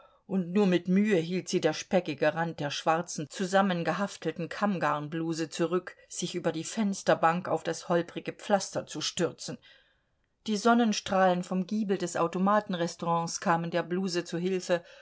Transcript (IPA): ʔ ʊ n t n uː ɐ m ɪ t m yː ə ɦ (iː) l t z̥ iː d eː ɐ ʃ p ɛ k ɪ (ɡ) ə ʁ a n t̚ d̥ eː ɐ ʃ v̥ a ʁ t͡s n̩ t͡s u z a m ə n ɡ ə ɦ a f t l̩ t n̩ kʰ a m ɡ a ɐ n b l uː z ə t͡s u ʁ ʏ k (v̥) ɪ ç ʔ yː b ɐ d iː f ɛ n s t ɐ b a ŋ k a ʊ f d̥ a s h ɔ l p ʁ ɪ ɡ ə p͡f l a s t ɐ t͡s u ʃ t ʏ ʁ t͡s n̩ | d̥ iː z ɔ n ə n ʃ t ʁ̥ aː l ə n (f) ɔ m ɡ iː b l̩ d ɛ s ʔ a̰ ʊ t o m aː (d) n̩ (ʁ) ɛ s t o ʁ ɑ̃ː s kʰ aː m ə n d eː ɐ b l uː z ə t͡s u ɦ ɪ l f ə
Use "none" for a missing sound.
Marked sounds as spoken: iː, ɡ, z̥, f, t, ʁ

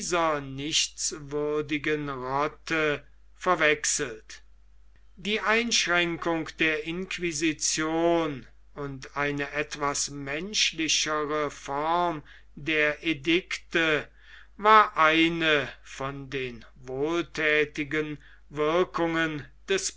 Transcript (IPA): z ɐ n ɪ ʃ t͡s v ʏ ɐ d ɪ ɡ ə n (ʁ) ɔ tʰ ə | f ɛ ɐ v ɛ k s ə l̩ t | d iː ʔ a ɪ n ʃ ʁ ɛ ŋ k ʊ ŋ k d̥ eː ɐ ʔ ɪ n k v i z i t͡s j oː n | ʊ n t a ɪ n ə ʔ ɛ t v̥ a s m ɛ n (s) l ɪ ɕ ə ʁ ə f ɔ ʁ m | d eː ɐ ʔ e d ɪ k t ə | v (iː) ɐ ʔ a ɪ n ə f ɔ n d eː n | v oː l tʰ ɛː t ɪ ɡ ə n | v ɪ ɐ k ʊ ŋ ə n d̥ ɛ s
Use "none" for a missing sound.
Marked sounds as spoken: ʁ, ʃ, aː

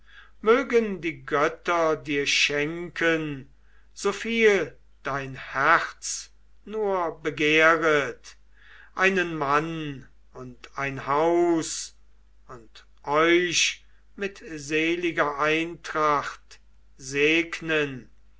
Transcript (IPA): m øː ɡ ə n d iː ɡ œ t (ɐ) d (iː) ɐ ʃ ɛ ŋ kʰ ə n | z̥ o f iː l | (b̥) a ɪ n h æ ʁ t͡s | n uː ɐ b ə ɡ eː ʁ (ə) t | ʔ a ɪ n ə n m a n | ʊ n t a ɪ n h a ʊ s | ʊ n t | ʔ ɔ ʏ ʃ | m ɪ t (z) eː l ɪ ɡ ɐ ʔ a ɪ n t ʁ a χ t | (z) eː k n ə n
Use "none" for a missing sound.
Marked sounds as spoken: ɐ, iː, d̥, ə, z, z

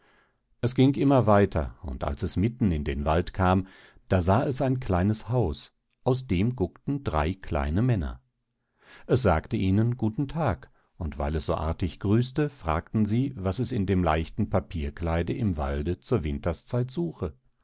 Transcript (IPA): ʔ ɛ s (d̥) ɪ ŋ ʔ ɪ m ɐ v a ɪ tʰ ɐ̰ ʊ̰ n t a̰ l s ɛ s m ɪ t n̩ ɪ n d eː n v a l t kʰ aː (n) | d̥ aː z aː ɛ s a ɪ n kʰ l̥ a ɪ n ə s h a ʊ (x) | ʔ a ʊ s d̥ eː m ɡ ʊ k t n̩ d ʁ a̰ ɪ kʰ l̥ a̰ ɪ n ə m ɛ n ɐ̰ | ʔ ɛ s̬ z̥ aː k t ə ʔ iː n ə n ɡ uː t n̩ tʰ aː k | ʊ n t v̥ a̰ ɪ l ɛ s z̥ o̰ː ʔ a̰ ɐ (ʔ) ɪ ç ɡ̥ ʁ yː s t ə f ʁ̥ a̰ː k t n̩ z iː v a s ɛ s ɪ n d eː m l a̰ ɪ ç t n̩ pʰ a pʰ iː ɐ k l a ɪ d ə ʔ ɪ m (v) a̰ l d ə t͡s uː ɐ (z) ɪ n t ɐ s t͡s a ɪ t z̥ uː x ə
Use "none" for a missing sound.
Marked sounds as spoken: ɡ̥, m, s, t, v, v

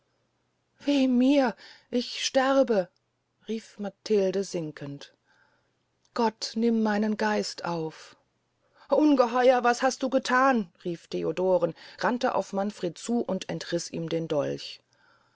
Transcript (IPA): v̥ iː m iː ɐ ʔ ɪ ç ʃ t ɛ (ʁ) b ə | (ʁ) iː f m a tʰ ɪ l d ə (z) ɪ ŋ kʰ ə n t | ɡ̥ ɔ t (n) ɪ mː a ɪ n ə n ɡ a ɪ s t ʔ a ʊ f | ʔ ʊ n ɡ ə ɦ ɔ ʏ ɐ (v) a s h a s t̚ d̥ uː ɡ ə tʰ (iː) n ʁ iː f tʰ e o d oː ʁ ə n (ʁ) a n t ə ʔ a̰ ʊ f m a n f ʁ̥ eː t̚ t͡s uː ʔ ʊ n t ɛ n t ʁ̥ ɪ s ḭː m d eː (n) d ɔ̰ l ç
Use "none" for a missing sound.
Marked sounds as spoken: ʁ, ʁ, z, n, v, aː, ʁ, n

